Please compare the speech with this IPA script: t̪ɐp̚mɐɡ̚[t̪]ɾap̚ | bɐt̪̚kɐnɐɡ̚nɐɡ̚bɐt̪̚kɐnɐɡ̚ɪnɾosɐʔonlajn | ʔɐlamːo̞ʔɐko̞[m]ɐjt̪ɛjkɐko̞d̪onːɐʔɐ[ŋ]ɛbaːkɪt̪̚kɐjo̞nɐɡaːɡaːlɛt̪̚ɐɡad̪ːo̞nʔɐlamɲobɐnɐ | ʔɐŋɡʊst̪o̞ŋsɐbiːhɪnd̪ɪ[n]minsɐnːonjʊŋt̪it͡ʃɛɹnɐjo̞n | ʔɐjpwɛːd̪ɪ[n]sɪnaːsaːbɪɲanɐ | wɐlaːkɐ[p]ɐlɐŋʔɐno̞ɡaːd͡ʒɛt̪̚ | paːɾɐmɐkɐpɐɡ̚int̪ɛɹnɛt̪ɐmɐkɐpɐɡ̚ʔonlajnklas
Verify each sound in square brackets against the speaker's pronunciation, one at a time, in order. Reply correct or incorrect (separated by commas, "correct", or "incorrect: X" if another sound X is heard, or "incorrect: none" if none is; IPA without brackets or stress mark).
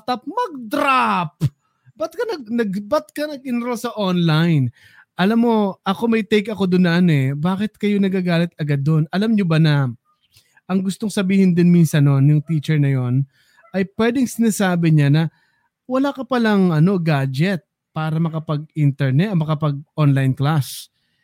incorrect: d̪, correct, incorrect: n, correct, incorrect: ŋ, correct